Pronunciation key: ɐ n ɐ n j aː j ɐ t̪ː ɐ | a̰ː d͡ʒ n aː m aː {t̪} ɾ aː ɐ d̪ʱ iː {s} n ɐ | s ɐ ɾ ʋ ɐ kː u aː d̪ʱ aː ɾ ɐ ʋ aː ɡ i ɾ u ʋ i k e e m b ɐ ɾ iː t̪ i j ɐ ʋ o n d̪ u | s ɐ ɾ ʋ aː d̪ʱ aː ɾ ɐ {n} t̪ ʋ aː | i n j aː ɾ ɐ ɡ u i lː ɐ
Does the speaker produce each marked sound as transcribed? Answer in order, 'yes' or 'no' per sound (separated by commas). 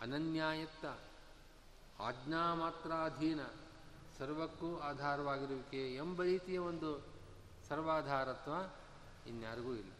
yes, no, no